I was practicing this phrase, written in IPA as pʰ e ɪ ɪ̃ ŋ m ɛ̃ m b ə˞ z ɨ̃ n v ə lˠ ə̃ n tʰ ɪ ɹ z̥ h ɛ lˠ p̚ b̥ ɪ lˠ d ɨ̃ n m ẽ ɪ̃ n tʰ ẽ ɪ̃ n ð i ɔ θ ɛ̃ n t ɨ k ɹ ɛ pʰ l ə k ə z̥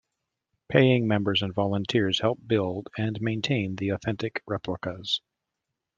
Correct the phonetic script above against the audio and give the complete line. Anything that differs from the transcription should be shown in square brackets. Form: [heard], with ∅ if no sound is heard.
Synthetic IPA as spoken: pʰ e ɪ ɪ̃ ŋ m ɛ̃ m b ə˞ z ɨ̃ n v [ɑ] lˠ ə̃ n tʰ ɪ ɹ z̥ h ɛ lˠ p̚ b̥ ɪ lˠ d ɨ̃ n m ẽ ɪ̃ n tʰ ẽ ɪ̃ n ð i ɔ θ ɛ̃ n t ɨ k ɹ ɛ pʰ l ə k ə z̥

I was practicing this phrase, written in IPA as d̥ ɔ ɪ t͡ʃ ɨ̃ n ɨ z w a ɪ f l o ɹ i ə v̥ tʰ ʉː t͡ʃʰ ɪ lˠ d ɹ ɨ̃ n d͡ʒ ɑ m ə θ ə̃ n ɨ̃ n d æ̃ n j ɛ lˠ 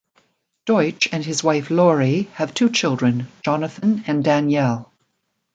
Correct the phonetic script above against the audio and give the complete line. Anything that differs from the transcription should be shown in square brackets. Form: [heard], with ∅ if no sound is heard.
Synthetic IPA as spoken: d̥ ɔ ɪ t͡ʃ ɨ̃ n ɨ z w a ɪ f l [ɔ] ɹ i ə v̥ tʰ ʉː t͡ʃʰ ɪ lˠ d ɹ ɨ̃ n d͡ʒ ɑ [n] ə θ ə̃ n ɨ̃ n d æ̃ n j ɛ lˠ

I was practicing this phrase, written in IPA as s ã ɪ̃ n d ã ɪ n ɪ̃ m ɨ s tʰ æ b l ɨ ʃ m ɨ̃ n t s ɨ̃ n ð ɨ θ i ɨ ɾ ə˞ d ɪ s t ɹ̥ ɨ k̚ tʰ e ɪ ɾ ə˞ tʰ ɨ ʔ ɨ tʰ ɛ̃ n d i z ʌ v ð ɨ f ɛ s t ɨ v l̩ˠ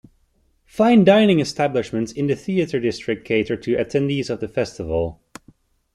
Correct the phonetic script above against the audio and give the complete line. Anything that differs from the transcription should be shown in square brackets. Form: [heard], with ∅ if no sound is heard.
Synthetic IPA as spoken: [f] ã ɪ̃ n d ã ɪ n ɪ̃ [ŋ] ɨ s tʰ æ b l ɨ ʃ m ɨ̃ n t s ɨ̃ n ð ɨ θ i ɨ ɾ ə˞ d ɪ s t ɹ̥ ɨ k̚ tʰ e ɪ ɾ ə˞ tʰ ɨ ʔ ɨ tʰ ɛ̃ n d i z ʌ v ð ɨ f ɛ s t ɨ v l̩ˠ

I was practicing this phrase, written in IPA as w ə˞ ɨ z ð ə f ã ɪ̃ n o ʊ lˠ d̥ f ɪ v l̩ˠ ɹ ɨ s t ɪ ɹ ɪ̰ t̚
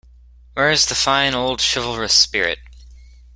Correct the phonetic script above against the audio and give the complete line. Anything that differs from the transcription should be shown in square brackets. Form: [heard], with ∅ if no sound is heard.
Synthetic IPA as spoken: w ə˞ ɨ z ð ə f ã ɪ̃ n o ʊ lˠ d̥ [ʃ] ɪ v l̩ˠ ɹ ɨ s [p] ɪ ɹ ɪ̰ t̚

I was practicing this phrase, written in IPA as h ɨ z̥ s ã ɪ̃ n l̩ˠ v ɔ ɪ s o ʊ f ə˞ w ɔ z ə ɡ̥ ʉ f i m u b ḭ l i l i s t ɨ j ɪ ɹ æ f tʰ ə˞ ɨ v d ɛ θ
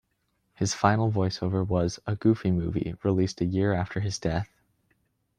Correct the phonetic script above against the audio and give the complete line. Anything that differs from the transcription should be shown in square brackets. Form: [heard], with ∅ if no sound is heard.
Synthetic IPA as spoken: h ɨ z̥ [f] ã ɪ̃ n l̩ˠ v ɔ ɪ s o ʊ [v] ə˞ w [ʌ] z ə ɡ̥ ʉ f i m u [v] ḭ [ɹ] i l i s t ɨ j ɪ ɹ æ f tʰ ə˞ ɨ [z] d ɛ θ

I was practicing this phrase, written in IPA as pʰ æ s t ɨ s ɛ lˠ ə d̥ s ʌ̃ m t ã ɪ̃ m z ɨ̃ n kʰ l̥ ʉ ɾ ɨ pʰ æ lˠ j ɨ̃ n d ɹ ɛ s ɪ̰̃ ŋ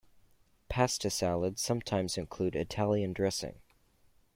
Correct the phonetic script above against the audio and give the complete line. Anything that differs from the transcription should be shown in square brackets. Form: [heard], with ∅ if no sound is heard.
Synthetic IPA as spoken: pʰ æ s t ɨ s [æ] lˠ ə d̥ s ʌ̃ m [tʰ] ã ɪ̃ m z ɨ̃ n kʰ l̥ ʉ ɾ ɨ [tʰ] æ lˠ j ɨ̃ n d ɹ ɛ s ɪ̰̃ ŋ

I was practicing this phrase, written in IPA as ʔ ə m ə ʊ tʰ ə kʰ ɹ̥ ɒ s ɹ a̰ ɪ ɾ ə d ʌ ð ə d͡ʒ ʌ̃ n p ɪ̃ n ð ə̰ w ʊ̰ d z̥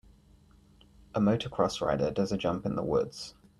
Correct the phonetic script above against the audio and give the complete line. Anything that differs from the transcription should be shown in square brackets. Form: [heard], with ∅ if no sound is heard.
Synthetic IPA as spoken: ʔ ə m ə ʊ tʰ ə kʰ ɹ̥ ɒ s ɹ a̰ ɪ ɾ ə d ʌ [z] ə d͡ʒ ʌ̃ [m] p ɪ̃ n ð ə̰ w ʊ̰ d z̥

